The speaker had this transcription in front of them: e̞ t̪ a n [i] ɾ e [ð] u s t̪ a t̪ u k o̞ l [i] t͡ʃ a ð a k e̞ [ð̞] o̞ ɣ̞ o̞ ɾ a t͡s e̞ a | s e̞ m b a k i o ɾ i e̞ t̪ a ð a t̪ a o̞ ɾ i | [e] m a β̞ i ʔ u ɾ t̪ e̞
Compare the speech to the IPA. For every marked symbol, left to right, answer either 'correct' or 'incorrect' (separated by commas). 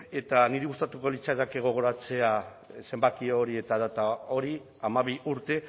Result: correct, incorrect, correct, incorrect, incorrect